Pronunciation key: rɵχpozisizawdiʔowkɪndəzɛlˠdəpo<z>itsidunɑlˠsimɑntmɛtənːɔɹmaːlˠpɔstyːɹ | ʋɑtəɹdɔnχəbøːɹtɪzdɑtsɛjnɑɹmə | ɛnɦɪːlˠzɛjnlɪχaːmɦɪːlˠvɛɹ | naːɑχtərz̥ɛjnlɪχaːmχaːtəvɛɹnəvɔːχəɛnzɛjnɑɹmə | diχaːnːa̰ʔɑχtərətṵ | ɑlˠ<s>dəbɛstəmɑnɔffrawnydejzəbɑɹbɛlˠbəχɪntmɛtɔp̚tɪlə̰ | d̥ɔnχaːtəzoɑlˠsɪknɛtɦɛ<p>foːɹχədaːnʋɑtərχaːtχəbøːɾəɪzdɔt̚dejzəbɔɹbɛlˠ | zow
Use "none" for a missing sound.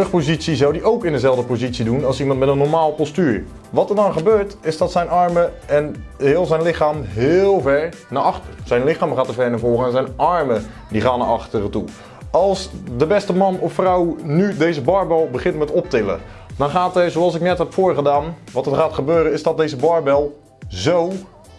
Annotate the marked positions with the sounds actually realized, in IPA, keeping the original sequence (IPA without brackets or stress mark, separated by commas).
z, s, p